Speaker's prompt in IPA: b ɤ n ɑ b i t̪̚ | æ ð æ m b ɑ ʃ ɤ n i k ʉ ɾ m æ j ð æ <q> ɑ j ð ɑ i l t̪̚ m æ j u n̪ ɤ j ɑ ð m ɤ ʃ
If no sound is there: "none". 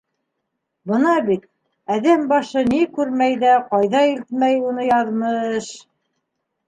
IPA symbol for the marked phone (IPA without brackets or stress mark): q